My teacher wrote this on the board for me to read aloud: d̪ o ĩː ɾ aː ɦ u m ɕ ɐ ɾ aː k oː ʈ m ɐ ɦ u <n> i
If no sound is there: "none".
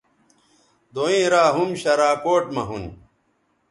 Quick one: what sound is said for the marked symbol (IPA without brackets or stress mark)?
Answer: n